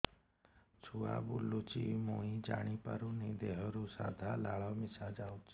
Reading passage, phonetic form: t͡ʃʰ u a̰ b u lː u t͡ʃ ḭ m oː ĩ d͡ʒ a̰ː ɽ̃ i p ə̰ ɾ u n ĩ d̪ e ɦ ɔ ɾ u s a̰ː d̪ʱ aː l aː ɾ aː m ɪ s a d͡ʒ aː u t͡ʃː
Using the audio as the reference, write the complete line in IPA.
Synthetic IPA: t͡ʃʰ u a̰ b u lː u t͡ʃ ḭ m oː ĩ d͡ʒ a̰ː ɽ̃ i p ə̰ ɾ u n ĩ d̪ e ɦ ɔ ɾ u s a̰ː d̪ʱ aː l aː ɭ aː m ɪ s a d͡ʒ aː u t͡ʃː